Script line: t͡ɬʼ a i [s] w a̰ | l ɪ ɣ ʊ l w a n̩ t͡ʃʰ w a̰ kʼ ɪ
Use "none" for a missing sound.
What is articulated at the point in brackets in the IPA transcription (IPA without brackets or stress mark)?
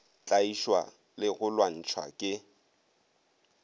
ʃ